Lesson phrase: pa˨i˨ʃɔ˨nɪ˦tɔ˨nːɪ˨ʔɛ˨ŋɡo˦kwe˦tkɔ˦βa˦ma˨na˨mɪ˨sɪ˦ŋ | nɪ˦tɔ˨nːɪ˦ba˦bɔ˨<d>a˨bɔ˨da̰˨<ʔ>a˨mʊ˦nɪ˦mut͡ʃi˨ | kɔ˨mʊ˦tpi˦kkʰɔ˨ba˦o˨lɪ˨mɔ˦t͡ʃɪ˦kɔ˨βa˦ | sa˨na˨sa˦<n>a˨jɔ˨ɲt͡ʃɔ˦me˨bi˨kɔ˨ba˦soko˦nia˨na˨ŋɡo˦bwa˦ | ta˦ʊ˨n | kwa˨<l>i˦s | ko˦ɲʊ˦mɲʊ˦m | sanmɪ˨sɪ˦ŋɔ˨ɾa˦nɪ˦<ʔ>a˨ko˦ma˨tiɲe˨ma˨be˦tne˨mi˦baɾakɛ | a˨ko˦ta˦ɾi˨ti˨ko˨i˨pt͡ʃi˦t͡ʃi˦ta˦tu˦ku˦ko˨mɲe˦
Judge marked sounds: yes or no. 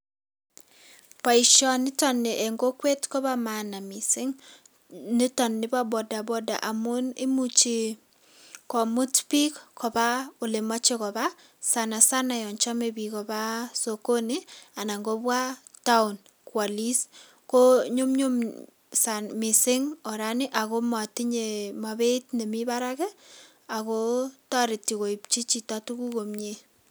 yes, yes, yes, yes, yes

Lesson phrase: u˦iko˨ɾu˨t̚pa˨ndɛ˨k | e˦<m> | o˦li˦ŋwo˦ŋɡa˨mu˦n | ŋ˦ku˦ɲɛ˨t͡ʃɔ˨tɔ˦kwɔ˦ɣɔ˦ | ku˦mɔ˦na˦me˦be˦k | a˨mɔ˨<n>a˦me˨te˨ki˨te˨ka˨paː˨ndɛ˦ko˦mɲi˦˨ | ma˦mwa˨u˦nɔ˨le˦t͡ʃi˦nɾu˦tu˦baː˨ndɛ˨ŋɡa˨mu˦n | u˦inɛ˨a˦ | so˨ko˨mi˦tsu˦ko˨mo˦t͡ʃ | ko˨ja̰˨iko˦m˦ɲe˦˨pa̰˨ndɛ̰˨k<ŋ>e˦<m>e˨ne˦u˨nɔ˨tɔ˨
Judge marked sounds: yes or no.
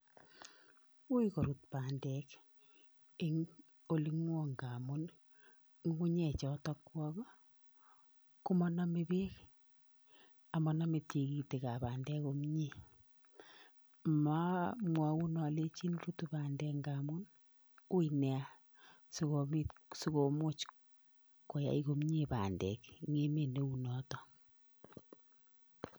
no, yes, yes, yes

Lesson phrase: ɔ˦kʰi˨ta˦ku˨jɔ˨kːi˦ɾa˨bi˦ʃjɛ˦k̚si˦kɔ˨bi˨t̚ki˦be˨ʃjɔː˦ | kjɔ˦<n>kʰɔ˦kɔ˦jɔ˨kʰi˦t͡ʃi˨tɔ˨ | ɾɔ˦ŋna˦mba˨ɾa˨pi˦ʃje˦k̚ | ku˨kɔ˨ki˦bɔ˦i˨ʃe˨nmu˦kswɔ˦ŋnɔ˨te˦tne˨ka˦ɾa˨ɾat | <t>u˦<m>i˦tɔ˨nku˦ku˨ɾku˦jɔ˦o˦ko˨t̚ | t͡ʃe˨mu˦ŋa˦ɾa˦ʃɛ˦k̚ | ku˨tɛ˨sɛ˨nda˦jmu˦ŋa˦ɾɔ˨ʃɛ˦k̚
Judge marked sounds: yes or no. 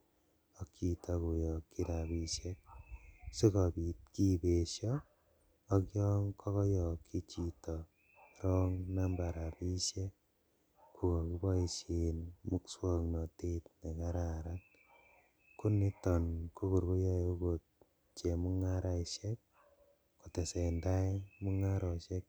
no, no, no

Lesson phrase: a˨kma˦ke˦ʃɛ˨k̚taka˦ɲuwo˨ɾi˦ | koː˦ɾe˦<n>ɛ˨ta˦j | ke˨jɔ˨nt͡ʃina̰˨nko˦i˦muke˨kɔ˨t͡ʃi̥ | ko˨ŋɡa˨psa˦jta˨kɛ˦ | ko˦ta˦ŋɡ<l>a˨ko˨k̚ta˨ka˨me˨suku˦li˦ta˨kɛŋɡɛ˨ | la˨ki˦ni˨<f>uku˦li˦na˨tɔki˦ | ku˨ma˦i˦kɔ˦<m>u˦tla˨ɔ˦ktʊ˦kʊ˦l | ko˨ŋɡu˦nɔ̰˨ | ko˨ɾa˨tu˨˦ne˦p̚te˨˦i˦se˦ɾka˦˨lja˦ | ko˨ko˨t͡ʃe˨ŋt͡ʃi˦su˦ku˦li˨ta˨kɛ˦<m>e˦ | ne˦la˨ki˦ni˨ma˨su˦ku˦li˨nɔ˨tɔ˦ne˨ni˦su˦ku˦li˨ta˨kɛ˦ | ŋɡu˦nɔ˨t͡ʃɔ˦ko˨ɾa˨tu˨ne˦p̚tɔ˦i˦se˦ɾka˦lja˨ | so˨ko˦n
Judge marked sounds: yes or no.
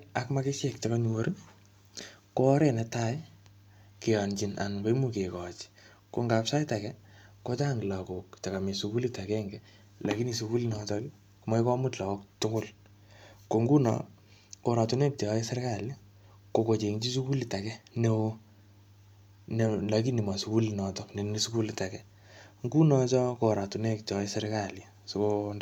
yes, yes, no, yes, no

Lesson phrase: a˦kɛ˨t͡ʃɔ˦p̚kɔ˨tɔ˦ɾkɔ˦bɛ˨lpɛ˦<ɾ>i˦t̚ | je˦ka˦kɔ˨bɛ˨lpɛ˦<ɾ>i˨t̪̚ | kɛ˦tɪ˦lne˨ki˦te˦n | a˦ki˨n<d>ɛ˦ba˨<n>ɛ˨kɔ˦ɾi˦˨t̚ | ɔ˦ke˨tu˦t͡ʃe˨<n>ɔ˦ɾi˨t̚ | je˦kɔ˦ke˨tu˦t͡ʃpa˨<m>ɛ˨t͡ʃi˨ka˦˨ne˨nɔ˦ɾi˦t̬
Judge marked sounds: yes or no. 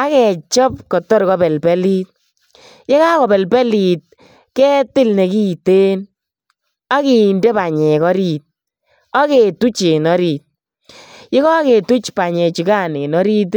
no, no, yes, no, yes, no

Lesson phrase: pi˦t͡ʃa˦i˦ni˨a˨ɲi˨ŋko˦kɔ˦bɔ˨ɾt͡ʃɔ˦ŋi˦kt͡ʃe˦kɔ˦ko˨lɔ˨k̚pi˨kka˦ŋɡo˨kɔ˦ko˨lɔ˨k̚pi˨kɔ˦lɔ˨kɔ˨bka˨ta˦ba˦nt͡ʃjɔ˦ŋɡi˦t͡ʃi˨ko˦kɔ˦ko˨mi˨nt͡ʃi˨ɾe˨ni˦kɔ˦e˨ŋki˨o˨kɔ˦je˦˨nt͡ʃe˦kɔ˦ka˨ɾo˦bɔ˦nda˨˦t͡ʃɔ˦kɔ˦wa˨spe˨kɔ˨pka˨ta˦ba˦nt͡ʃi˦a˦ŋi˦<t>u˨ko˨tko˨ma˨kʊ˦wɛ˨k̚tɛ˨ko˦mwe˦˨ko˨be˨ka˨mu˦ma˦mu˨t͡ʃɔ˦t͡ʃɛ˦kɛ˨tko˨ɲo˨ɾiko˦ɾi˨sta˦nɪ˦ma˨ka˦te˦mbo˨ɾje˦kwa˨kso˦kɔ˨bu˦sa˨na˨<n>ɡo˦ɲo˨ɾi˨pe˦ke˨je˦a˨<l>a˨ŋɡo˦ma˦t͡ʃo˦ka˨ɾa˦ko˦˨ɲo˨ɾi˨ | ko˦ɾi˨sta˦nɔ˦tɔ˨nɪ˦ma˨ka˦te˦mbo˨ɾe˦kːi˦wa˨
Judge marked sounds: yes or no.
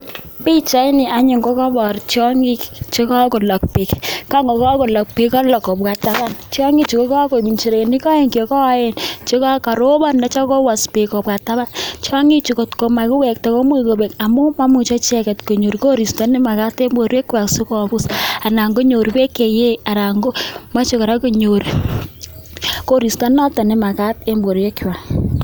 no, no, no

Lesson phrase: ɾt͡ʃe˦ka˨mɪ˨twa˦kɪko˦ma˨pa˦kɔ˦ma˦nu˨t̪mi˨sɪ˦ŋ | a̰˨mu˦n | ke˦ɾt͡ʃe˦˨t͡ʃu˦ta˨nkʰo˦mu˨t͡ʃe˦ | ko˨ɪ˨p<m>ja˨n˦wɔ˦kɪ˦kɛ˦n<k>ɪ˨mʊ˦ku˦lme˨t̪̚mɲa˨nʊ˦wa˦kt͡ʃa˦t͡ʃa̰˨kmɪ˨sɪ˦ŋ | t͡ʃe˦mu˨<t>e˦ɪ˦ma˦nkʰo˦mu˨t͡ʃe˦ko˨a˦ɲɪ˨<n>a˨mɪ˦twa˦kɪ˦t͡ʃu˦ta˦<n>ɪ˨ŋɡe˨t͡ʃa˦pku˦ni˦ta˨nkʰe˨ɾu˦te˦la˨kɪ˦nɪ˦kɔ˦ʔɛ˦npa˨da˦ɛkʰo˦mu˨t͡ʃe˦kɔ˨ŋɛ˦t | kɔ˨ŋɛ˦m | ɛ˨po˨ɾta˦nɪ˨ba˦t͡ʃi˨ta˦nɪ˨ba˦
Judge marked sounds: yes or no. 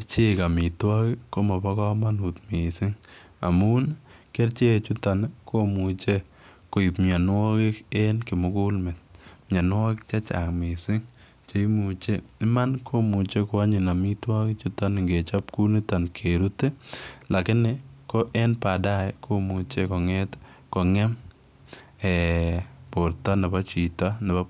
yes, yes, no, yes, yes

